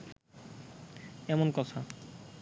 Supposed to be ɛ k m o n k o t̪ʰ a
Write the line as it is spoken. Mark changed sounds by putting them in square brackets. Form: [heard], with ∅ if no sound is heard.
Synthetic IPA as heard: ɛ [∅] m o n k [ɔ] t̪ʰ a